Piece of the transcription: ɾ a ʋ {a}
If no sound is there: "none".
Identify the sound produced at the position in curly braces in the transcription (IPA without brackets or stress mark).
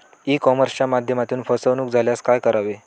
e